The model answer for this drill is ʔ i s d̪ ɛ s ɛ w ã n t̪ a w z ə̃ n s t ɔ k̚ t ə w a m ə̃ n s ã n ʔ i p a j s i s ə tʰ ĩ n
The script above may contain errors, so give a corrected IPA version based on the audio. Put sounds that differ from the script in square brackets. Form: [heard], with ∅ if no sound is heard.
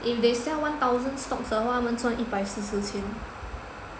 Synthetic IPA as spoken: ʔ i [f] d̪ [e] s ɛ w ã n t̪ a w z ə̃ n s t ɔ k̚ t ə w a m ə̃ n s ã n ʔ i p a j s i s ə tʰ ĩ n